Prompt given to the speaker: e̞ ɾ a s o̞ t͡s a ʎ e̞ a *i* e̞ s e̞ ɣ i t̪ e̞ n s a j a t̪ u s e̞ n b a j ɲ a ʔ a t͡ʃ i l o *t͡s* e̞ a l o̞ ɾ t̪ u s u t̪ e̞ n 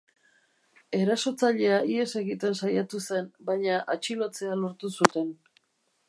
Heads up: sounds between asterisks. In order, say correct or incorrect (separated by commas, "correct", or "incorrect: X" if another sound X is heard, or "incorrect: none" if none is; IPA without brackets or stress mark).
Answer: correct, correct